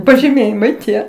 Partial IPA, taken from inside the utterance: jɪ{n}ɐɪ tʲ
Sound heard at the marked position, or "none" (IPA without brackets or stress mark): m